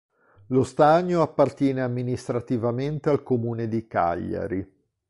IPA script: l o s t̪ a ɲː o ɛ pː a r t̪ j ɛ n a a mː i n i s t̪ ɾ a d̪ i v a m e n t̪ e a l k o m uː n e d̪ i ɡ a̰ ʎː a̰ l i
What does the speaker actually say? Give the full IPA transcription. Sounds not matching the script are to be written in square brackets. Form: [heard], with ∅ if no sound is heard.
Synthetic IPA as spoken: l o s t̪ a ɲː o [a] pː a r t̪ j [ɛː] n [e] a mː i n i s t̪ ɾ a [t̪] i v a m e n t̪ e a l k o m uː n e d̪ i [k] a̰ ʎː a̰ [ɾ] i